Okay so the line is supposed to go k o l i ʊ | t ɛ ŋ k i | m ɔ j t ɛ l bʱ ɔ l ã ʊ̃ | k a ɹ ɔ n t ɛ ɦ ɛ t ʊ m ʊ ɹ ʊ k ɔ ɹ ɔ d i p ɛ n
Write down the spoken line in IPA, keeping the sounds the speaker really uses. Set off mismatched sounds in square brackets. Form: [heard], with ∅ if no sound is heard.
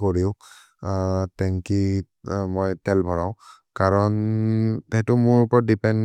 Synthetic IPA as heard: k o [ɹ] i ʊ | t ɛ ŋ k i | m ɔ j t ɛ l bʱ ɔ [ɹ] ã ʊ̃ | k a ɹ ɔ n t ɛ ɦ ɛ t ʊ m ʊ ɹ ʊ [p] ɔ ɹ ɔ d i p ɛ n